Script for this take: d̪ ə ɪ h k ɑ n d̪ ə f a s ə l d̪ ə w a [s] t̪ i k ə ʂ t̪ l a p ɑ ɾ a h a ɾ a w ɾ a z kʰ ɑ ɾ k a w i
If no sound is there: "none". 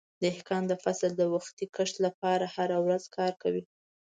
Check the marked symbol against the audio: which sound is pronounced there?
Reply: x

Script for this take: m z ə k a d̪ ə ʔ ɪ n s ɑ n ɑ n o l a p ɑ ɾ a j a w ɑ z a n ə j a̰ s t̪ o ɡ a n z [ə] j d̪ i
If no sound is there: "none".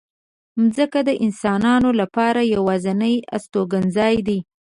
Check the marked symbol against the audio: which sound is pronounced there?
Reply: ɑ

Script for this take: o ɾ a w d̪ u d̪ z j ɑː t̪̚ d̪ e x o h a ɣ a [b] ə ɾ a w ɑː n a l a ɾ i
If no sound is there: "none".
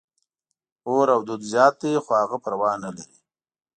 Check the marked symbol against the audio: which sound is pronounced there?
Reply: p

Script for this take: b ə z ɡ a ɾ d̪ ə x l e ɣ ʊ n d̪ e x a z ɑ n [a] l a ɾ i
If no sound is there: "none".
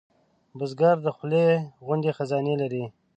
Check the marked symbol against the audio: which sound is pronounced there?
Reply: e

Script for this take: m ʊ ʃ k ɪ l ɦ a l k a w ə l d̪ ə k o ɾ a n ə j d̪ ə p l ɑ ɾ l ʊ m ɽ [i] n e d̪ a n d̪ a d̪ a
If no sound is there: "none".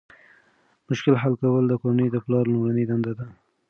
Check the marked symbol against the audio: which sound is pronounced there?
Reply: a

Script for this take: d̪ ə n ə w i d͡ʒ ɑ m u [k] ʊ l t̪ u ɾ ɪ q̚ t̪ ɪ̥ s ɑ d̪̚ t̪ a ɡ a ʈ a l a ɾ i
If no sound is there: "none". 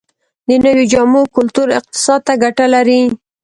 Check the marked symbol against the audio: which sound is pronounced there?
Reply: k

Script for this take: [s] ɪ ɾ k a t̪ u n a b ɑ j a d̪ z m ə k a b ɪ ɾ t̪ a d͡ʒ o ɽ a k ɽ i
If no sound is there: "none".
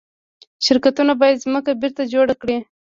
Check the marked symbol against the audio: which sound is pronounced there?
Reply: ʃ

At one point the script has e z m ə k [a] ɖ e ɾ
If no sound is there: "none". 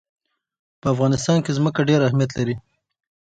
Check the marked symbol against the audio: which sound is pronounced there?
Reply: a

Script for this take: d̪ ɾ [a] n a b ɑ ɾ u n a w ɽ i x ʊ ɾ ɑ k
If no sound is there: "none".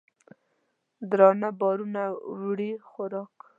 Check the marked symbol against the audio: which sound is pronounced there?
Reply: ɑ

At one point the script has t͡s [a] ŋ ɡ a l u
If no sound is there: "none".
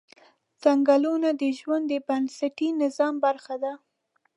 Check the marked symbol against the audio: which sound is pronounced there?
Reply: a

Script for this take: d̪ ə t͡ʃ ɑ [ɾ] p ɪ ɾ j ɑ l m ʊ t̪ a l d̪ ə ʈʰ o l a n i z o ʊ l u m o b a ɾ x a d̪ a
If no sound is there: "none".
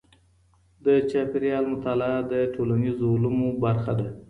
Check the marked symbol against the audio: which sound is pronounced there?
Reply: none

